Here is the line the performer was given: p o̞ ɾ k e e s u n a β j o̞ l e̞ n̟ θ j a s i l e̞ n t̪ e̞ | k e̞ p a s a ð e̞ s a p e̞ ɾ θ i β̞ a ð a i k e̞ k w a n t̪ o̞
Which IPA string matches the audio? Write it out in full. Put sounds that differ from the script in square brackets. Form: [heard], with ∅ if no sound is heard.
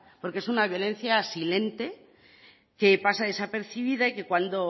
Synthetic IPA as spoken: p o̞ ɾ k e e s u n a β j o̞ l e̞ n̟ θ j a s i l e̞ n t̪ e̞ | k e̞ p a s a ð e̞ s a p e̞ ɾ θ i β̞ [i] ð a i k e̞ k w a n [d̪] o̞